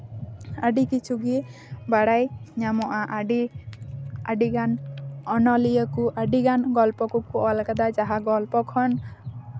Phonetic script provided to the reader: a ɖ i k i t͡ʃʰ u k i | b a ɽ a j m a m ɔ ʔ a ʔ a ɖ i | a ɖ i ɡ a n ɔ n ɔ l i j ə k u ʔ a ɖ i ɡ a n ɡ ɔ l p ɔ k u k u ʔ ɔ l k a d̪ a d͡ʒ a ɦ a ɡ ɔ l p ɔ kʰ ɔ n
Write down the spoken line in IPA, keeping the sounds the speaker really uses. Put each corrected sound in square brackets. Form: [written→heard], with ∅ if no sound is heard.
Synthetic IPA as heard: a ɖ i k i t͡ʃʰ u [k→ɡ] i | b a ɽ a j [m→ɲ] a m ɔ ʔ a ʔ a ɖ i | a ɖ i ɡ a n ɔ n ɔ l i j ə k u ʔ a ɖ i ɡ a n ɡ ɔ l p ɔ k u k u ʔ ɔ l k a d̪ a d͡ʒ a ɦ a ɡ ɔ l p ɔ kʰ ɔ n